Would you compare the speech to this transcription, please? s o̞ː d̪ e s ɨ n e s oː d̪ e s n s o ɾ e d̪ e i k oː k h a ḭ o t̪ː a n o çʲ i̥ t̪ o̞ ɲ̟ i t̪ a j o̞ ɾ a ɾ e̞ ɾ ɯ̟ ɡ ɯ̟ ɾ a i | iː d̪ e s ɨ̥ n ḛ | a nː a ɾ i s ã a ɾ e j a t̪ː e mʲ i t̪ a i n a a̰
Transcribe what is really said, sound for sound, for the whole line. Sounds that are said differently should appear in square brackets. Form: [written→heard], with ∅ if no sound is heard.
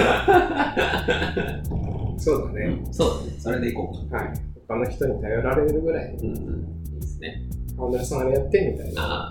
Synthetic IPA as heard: s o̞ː d̪ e s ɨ n e s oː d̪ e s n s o ɾ e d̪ e i k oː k h a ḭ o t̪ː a n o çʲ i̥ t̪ o̞ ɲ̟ i t̪ a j o̞ ɾ a ɾ e̞ ɾ ɯ̟ ɡ ɯ̟ ɾ a i | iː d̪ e s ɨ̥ n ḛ | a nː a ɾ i s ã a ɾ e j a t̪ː e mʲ i t̪ a i n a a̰